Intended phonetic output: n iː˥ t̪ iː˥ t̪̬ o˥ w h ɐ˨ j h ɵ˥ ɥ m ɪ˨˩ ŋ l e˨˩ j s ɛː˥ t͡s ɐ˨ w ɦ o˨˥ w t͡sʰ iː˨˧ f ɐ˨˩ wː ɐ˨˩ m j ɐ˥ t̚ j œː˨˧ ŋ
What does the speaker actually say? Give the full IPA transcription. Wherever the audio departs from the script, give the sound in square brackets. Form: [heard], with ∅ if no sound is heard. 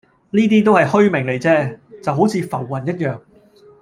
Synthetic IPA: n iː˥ t̪ iː˥ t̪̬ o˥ w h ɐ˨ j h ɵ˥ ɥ m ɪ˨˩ ŋ l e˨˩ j [t͡s] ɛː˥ t͡s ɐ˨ w ɦ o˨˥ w t͡sʰ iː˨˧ f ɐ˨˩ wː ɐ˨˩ [n] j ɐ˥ t̚ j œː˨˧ ŋ